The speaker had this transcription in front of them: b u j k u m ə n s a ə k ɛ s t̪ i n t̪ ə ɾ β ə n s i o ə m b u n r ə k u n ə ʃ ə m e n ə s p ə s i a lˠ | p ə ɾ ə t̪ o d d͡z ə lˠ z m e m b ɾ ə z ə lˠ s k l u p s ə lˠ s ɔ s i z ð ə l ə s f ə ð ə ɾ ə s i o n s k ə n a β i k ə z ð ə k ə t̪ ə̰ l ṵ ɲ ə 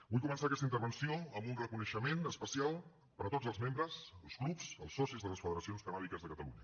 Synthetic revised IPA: b u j k u m ə n s a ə k ɛ s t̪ i n t̪ ə ɾ β ə n s i o ə m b u n r ə k u n ə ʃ ə m e n ə s p ə s i a lˠ | p ə ɾ ə t̪ o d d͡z ə lˠ z m e m b ɾ ə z ə lˠ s k l u p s ə lˠ s ɔ s i z ð ə l ə s f ə ð ə ɾ ə s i o n s k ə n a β i k ə z ð ə k ə t̪ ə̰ l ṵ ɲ ə